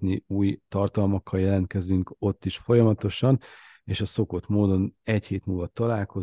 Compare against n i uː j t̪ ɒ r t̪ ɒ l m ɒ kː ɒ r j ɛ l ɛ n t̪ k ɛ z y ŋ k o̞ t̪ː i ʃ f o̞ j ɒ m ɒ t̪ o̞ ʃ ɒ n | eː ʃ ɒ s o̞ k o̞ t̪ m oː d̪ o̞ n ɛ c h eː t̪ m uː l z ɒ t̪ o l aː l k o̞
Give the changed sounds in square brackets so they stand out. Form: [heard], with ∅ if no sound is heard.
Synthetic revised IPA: n i uː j t̪ ɒ r t̪ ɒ l m ɒ kː ɒ [l] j ɛ l ɛ n t̪ k ɛ z y ŋ k o̞ t̪ː i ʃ f o̞ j ɒ m ɒ t̪ o̞ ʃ ɒ n | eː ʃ ɒ s o̞ k o̞ t̪ m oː d̪ o̞ n ɛ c h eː t̪ m uː l [v] ɒ t̪ [ɒ] l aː l k o̞